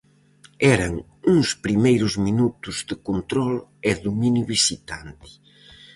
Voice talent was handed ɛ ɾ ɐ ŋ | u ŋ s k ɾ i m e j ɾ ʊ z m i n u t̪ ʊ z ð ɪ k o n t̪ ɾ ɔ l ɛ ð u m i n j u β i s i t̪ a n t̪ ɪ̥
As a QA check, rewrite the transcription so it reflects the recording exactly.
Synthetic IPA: ɛ ɾ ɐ ŋ | u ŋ s p ɾ i m e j ɾ ʊ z m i n u t̪ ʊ z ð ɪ k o n t̪ ɾ ɔ l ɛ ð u m i n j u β i s i t̪ a n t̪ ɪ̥